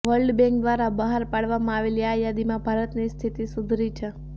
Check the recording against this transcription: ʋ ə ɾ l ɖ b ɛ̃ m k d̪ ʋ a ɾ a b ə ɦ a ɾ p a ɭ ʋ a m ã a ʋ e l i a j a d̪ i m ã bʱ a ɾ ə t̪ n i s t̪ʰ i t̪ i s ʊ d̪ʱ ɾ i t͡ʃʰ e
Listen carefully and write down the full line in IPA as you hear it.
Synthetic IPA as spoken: ʋ ə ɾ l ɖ b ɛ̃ ŋ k d̪ ʋ a ɾ a b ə ɦ a ɾ p a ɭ ʋ a m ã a ʋ e l i a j a d̪ i m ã bʱ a ɾ ə t̪ n i s t̪ʰ i t̪ i s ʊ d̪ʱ ɾ i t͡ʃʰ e

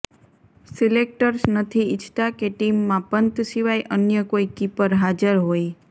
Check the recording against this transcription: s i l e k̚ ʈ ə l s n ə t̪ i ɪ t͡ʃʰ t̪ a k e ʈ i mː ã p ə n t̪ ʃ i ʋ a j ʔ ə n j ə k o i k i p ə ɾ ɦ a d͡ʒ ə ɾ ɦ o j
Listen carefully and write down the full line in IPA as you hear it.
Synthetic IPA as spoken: s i l e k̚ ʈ ə ɾ s n ə t̪ʰ i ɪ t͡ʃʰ t̪ a k e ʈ i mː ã p ə n t̪ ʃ i ʋ a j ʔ ə n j ə k o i k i p ə ɾ ɦ a d͡ʒ ə ɾ ɦ o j

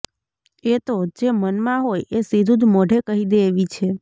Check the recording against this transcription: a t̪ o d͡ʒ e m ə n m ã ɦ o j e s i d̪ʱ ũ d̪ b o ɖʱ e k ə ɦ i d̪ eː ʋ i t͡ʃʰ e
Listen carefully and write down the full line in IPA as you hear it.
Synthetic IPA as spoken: e t̪ o d͡ʒ e m ə n m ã ɦ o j e s i d̪ʱ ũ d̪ m o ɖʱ e k ə ɦ i d̪ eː ʋ i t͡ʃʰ e

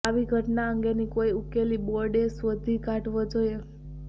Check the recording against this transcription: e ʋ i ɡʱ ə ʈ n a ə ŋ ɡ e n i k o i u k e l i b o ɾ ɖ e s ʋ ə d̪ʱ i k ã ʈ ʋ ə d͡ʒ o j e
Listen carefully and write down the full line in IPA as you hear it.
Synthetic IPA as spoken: a ʋ i ɡʱ ə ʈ n a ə ŋ ɡ e n i k o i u k e l i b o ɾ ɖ e s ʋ ə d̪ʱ i k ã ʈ ʋ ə d͡ʒ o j e

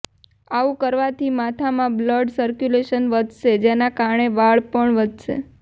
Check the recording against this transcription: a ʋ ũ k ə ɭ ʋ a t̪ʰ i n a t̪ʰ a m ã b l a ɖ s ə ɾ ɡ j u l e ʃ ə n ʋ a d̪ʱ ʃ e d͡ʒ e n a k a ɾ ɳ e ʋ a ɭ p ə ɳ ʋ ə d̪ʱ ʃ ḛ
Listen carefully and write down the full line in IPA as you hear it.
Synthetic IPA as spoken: a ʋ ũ k ə ɾ ʋ a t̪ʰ i m a t̪ʰ a m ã b l ə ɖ s ə ɾ k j u l e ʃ ə n ʋ ə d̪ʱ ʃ e d͡ʒ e n a k a ɾ ɳ e ʋ a ɭ p ə ɳ ʋ ə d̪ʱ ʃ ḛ

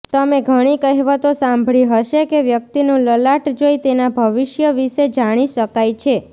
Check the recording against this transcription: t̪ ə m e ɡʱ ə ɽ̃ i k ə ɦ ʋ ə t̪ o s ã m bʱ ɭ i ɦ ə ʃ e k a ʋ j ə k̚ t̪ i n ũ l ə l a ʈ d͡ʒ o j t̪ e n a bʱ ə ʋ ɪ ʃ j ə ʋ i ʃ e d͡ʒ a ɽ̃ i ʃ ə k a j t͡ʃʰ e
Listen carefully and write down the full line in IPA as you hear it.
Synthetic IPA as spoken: t̪ ə m e ɡʱ ə ɽ̃ i k ə ɦ ʋ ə t̪ o s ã m bʱ ɭ i ɦ ə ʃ e k e ʋ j ə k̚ t̪ i n ũ l ə l a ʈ d͡ʒ o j t̪ e n a bʱ ə ʋ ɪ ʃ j ə ʋ i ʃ e d͡ʒ a ɽ̃ i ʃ ə k a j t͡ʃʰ e

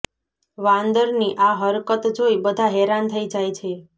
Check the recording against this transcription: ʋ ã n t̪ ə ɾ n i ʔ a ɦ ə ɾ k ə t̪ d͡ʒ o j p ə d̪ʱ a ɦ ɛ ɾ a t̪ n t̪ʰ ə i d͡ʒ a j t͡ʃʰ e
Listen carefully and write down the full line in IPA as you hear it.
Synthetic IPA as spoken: ʋ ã n d̪ ə ɾ n i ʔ a ɦ ə ɾ k ə t̪ d͡ʒ o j b ə d̪ʱ a ɦ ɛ ɾ a n t̪ʰ ə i d͡ʒ a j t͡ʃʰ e

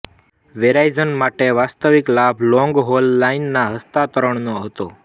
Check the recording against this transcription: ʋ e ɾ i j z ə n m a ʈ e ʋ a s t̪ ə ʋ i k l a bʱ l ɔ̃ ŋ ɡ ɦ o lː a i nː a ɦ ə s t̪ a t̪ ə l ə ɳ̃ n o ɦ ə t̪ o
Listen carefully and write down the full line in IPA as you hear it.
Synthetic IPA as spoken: ʋ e ɾ a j z ə n m a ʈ e ʋ a s t̪ ə ʋ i k l a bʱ l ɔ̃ ŋ ɡ ɦ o lː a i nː a ɦ ə s t̪ a t̪ ə ɾ ə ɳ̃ n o ɦ ə t̪ o

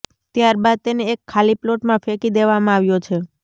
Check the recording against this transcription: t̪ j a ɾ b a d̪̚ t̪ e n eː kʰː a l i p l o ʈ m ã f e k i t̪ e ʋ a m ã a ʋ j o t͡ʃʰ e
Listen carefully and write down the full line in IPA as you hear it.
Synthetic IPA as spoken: t̪ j a ɾ b a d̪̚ t̪ e n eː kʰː a l i p l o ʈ m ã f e k i d̪ e ʋ a m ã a ʋ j o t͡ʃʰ e

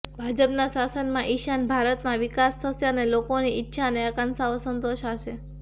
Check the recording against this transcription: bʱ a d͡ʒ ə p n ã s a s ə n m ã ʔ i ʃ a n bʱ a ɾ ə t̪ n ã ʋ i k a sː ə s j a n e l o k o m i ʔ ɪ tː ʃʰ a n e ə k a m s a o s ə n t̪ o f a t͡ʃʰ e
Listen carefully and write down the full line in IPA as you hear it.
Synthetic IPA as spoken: bʱ a d͡ʒ ə p n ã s a s ə n m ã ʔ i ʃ a n bʱ a ɾ ə t̪ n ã ʋ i k a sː ə s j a n e l o k o n i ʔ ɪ tː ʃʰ a n e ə k a n s a o s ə n t̪ o ʃ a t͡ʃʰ e

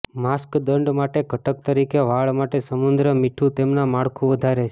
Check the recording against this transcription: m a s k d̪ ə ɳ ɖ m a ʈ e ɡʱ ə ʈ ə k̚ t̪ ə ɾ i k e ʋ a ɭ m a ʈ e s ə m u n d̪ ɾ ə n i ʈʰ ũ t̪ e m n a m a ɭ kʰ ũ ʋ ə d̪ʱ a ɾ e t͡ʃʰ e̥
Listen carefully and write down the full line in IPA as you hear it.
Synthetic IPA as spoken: m a s k d̪ ə ɳ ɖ m a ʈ e ɡʱ ə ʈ ə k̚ t̪ ə ɾ i k e ʋ a ɭ m a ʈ e s ə m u n d̪ ɾ ə m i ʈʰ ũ t̪ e m n a m a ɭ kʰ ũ ʋ ə d̪ʱ a ɾ e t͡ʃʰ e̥

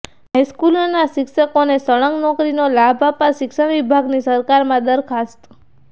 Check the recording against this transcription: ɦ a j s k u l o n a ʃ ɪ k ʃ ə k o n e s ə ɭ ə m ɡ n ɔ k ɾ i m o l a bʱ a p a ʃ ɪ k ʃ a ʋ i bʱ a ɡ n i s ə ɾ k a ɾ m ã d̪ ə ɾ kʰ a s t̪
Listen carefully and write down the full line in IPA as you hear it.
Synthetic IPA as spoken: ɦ a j s k u l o n a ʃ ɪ k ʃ ə k o n e s ə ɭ ə ŋ ɡ n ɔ k ɾ i n o l a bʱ a p a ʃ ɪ k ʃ a ʋ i bʱ a ɡ n i s ə ɾ k a ɾ m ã d̪ ə ɾ kʰ a s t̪

